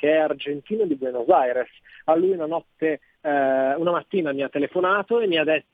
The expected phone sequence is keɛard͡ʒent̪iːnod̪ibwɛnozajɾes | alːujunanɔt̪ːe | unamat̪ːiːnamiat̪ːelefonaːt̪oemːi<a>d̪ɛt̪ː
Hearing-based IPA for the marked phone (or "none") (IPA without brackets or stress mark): a